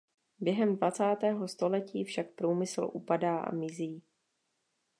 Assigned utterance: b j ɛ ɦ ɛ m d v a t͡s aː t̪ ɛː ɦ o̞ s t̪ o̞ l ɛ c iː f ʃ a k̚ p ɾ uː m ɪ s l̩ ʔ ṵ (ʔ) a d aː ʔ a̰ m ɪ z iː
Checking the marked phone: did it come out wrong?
yes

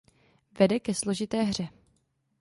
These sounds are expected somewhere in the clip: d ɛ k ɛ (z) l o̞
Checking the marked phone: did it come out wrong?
yes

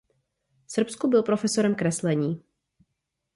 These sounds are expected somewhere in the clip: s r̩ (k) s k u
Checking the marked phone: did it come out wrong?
yes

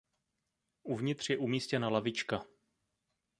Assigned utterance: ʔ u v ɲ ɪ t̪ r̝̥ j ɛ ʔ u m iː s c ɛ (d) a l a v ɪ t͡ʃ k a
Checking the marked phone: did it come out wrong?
yes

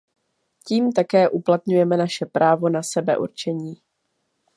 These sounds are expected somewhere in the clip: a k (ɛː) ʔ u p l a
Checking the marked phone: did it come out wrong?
no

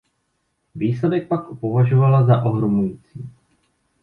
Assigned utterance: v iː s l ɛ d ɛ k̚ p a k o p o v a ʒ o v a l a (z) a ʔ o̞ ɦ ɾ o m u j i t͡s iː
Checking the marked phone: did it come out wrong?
no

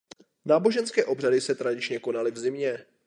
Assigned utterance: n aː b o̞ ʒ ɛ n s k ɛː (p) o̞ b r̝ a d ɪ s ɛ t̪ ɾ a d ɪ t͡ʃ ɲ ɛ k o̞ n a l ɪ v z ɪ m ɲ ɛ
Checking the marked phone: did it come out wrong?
yes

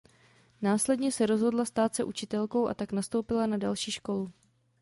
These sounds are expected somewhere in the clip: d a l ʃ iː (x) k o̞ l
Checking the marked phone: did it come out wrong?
yes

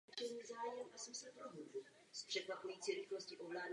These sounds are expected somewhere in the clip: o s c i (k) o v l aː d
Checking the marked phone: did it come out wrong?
yes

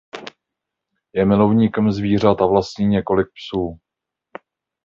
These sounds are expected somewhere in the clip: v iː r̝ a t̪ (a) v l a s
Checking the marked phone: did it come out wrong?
no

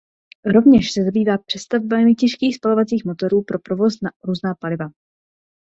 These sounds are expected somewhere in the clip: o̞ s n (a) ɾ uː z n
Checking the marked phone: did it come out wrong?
no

